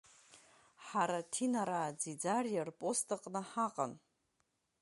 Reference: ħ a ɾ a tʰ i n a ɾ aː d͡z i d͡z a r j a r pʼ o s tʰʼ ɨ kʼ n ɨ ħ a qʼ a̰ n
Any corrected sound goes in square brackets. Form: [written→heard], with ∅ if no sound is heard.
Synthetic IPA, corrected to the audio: ħ a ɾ a tʰ i n a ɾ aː d͡z i d͡z a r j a r pʼ o s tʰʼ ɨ [kʼ→qʼ] n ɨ ħ a qʼ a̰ n